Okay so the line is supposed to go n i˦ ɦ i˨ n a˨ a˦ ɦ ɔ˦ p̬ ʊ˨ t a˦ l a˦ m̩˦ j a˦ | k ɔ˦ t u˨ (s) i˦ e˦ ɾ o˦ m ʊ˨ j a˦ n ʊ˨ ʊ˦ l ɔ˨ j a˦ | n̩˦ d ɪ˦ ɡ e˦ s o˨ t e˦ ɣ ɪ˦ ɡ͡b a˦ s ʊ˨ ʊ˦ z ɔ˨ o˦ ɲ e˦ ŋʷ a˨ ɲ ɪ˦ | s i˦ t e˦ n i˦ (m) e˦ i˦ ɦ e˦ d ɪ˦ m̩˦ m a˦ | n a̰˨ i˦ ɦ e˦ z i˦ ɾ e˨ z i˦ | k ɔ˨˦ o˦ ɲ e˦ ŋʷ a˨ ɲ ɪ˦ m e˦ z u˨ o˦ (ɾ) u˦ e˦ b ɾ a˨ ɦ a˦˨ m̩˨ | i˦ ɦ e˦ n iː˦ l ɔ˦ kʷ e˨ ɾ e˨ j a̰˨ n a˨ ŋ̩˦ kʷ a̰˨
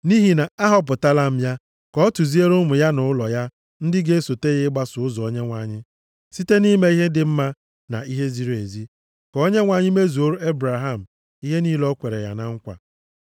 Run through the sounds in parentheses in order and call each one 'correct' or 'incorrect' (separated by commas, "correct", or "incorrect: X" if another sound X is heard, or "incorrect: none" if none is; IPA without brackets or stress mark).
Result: incorrect: z, correct, correct